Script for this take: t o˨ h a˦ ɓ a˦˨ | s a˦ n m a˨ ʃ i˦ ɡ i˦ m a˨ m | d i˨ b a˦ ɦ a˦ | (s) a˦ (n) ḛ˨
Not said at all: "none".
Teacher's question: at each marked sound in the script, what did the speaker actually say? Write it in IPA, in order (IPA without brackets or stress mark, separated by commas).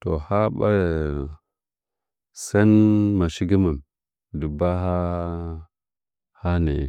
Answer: h, n